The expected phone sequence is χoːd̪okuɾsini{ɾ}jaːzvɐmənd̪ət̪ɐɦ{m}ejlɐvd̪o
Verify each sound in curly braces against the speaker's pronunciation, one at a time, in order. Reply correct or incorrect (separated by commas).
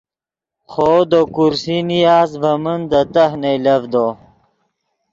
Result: incorrect, incorrect